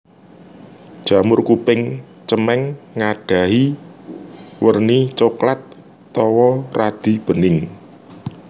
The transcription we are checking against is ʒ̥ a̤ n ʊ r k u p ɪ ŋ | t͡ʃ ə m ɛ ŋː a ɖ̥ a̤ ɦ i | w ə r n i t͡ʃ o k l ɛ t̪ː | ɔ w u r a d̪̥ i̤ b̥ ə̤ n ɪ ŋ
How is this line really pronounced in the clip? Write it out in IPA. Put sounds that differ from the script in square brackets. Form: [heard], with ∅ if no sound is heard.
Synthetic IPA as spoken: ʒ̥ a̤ [m] ʊ r k u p ɪ ŋ | t͡ʃ ə m ɛ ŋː a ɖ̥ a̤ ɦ i | w ə r n i t͡ʃ o k l [a] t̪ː | ɔ w [ɔ] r a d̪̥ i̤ b̥ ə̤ n ɪ ŋ